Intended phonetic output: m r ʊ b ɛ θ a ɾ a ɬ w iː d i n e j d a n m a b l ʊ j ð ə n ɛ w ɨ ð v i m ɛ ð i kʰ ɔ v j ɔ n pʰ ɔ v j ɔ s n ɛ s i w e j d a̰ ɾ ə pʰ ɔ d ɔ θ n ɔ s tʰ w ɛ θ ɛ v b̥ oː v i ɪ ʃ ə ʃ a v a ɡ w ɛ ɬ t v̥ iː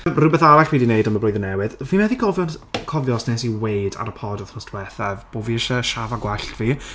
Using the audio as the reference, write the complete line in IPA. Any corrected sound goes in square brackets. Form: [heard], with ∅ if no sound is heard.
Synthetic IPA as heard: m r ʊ b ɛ θ a ɾ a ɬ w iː d i n e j d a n m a b l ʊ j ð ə n ɛ w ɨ ð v i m ɛ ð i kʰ ɔ v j ɔ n [kʰ] ɔ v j ɔ s n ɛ s i w e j d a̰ ɾ ə pʰ ɔ d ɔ θ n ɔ s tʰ w ɛ θ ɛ v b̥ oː v i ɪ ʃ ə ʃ a v a ɡ w ɛ ɬ t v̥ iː